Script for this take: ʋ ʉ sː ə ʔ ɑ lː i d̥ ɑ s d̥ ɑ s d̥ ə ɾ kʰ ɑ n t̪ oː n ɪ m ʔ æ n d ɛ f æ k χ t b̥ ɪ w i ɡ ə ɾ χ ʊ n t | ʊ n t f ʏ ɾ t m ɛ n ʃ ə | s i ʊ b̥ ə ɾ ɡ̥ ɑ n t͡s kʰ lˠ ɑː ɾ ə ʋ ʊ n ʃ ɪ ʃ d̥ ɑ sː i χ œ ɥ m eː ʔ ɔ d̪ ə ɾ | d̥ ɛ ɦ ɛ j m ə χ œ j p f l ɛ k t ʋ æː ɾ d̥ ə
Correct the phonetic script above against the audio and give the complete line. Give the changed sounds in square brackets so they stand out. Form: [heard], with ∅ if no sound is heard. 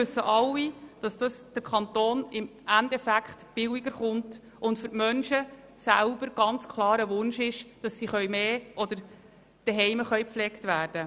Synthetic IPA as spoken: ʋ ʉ sː ə ʔ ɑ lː i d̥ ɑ s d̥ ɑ s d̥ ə ɾ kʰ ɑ n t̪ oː n ɪ m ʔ æ n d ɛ f æ k χ t b̥ ɪ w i ɡ ə ɾ χ ʊ n t | ʊ n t f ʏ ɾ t m [œ] n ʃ ə | s [æ] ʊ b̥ ə ɾ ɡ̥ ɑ n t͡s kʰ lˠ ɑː ɾ ə ʋ ʊ n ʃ ɪ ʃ d̥ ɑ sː i χ œ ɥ m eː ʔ ɔ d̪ ə ɾ | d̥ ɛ ɦ ɛ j m ə χ œ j p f l ɛ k t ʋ æː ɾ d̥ ə